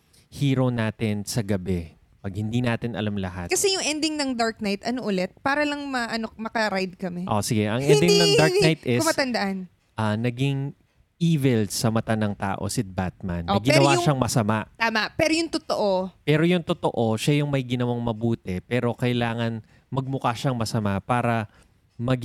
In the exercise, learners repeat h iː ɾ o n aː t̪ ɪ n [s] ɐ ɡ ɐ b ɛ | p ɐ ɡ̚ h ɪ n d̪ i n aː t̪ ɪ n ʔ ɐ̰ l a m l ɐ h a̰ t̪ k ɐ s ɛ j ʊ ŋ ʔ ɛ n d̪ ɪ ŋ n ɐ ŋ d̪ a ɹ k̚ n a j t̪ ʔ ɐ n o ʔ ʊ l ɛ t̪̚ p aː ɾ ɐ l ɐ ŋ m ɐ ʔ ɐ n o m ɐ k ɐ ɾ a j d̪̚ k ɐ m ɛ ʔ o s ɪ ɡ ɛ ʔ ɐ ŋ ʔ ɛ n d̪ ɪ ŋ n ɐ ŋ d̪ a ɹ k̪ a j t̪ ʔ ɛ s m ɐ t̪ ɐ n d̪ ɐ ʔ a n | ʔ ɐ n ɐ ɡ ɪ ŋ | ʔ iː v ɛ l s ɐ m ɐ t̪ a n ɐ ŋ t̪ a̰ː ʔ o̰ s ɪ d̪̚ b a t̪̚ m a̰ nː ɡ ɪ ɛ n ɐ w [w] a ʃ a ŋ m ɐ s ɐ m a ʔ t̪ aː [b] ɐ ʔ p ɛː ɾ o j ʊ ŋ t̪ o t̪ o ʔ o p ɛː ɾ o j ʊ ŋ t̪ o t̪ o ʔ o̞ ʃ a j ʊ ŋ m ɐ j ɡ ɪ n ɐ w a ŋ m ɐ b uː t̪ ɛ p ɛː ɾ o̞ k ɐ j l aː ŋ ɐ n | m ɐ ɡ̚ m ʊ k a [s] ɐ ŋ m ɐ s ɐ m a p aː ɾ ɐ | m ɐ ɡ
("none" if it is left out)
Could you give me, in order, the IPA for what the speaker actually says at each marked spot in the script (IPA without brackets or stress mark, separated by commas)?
s, w, m, ʃ